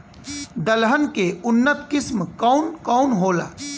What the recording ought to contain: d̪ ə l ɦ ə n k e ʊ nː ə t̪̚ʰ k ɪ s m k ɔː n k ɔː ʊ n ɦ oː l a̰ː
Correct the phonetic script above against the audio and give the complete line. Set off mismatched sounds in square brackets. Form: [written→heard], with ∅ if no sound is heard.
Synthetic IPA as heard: d̪ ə l ɦ ə n k e ʊ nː ə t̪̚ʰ k ɪ s m k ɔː n k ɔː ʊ n ɦ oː l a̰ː